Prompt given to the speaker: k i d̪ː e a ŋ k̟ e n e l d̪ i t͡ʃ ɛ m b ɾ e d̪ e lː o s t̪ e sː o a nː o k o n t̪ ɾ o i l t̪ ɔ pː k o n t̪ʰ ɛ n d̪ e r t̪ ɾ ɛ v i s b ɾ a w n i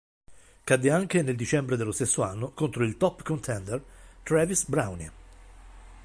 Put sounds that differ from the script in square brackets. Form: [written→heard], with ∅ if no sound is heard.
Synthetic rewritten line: k [i→a] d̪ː e a ŋ k̟ e n e l d̪ i t͡ʃ ɛ m b ɾ e d̪ e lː o s t̪ e sː o a nː o k o n t̪ ɾ o i l t̪ ɔ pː k o n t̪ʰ ɛ n d̪ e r t̪ ɾ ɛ v i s b ɾ a w n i